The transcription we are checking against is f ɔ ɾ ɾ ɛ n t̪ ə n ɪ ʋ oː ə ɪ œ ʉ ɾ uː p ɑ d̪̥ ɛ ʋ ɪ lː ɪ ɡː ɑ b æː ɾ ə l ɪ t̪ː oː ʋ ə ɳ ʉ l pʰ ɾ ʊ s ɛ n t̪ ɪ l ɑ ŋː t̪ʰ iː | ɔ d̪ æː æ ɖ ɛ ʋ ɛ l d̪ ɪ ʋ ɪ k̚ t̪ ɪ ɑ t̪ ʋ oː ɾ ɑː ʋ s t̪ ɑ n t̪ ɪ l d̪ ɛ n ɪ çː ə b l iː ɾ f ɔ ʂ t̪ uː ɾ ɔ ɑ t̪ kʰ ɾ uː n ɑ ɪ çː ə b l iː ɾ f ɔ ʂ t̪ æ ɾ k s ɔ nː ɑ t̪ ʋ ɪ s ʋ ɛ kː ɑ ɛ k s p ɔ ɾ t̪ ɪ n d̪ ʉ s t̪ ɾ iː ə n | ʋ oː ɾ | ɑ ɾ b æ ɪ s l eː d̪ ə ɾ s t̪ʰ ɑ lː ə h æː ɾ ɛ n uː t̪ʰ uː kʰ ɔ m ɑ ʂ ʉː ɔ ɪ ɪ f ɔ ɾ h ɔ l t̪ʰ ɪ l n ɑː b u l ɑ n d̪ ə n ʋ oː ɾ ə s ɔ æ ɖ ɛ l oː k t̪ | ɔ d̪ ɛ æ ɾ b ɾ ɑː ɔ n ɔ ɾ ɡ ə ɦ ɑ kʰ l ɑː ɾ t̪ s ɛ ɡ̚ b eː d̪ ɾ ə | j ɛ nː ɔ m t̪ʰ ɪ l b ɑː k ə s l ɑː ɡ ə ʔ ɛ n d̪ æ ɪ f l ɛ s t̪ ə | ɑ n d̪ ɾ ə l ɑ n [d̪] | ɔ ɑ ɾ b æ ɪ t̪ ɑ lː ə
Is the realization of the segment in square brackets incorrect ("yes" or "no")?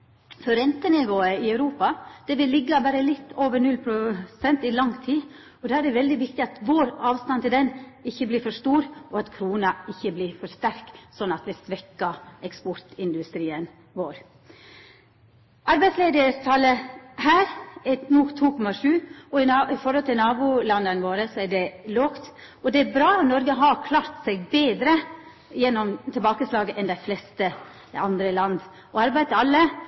no